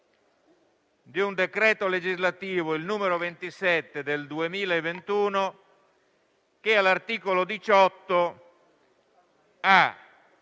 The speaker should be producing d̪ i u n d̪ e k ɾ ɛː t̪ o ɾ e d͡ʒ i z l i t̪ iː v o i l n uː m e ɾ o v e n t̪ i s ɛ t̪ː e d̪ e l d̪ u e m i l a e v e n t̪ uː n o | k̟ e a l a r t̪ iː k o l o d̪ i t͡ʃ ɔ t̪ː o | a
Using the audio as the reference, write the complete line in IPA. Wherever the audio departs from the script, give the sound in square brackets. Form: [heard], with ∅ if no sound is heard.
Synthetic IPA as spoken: d̪ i u n d̪ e k ɾ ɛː t̪ o [l] e d͡ʒ i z l [a] t̪ iː v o i l n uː m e ɾ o v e n t̪ i s ɛ t̪ː e d̪ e l d̪ u e m [iː] l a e v e n t̪ uː n o | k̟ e a l a r t̪ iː k o l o d̪ i t͡ʃ ɔ t̪ː o | a